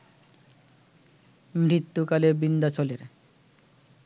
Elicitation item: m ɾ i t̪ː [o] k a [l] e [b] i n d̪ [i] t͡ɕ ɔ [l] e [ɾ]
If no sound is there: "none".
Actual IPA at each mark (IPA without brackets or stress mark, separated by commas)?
u, l, b, a, l, ɾ